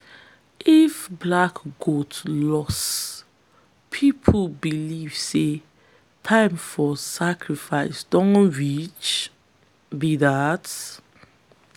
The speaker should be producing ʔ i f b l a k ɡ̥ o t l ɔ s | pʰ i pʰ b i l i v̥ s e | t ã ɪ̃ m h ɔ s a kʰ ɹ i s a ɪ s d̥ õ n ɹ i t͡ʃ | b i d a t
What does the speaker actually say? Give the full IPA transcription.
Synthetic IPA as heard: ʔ i f b l a k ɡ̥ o t l ɔ s | pʰ i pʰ b i l i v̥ s e | tʰ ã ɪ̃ m f ɔ s a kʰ ɹ i f a ɪ s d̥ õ n ɹ i t͡ʃ | b i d a t